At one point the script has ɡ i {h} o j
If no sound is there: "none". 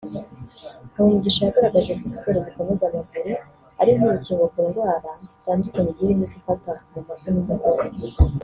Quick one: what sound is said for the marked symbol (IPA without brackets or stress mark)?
ʃ